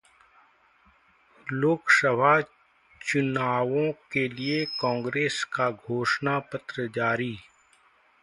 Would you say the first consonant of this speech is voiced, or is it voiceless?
voiced